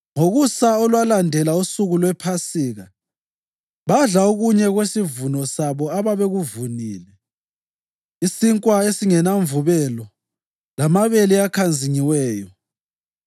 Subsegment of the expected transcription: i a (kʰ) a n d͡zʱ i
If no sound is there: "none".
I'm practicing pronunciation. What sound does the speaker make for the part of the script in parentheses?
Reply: kʰ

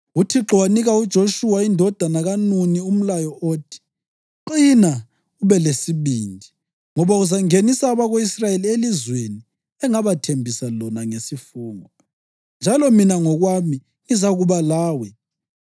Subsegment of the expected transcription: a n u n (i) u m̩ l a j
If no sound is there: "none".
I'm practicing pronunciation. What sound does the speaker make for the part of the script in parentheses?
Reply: i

